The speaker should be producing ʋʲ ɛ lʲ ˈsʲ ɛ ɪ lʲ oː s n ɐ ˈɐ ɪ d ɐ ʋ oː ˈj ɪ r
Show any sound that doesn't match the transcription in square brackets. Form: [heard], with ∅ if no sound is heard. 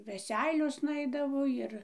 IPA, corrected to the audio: ʋʲ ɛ [∅] ˈsʲ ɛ ɪ lʲ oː s n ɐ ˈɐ ɪ d ɐ ʋ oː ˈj ɪ r